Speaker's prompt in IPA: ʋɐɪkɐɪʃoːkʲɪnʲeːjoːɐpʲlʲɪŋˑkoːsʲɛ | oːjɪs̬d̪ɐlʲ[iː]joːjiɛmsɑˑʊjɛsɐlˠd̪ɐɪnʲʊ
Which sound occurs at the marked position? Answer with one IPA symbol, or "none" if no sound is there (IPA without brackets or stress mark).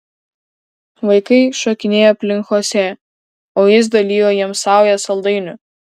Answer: iː